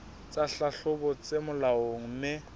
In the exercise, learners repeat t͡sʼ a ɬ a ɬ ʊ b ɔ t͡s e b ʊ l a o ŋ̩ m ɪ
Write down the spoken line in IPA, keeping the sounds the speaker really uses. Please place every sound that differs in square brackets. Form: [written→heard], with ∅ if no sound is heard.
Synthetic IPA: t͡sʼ a ɬ a ɬ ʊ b ɔ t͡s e [b→m] ʊ l a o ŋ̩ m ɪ